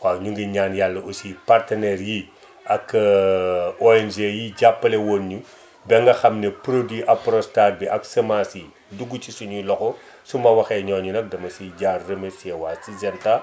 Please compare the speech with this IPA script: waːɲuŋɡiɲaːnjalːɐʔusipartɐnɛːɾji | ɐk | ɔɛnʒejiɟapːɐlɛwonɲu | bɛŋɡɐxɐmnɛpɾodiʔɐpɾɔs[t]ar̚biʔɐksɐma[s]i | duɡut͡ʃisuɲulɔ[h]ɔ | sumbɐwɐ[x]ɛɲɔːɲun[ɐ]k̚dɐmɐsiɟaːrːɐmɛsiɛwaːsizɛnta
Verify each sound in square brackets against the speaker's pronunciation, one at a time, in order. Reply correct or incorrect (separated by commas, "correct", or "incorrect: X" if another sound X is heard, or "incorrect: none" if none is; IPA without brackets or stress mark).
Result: correct, correct, incorrect: x, correct, correct